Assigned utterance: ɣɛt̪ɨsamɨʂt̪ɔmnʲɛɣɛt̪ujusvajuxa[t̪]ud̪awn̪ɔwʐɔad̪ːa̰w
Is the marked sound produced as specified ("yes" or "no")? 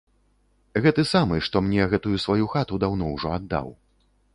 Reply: yes